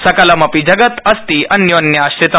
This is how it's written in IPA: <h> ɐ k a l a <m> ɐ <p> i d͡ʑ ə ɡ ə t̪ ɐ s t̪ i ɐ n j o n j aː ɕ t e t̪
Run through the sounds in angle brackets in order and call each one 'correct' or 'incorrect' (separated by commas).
incorrect, correct, correct